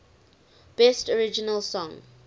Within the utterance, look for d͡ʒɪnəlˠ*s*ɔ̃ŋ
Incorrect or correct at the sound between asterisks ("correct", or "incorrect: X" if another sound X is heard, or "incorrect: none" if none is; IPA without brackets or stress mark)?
correct